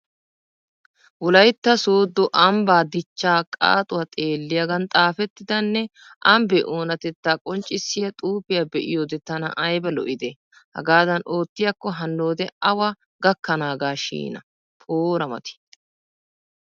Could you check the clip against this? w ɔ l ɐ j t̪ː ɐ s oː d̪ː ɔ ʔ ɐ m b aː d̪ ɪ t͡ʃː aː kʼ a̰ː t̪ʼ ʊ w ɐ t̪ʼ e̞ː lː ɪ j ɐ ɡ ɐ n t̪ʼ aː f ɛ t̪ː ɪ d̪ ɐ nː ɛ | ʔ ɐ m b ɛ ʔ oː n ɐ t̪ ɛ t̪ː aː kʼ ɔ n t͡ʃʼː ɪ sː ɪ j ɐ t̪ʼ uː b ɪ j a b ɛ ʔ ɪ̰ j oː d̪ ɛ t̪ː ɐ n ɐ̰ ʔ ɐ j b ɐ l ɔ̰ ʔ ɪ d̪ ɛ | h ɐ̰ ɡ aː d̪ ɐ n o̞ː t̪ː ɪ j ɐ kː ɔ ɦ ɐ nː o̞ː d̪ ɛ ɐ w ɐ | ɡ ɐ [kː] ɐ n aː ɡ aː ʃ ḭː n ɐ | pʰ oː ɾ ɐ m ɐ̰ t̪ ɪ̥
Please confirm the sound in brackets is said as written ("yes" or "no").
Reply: yes